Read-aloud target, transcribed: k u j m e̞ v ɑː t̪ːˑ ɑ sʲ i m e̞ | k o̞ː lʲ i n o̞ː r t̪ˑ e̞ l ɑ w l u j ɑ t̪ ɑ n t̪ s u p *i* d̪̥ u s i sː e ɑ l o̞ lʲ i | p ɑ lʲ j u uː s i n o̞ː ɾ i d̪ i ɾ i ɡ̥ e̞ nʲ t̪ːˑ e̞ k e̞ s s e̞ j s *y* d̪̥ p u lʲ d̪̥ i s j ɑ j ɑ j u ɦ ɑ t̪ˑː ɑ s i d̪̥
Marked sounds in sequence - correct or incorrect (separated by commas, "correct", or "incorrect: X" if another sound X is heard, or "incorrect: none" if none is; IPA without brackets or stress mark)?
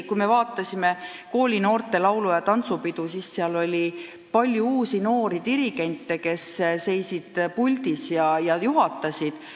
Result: correct, incorrect: i